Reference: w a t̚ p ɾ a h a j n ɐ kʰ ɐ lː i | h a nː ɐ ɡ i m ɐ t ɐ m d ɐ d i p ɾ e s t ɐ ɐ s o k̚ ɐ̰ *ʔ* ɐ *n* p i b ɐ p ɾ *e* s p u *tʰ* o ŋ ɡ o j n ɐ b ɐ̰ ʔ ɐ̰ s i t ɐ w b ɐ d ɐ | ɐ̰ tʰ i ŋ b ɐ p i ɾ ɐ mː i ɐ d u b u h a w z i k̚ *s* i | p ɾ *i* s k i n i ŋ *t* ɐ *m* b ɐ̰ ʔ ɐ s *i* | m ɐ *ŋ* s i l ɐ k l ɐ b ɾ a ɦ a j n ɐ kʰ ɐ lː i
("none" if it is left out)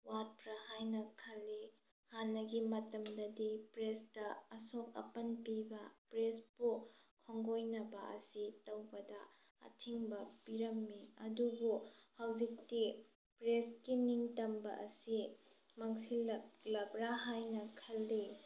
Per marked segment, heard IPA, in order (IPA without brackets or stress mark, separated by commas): p, n, e, kʰ, t, e, t, m, i, ŋ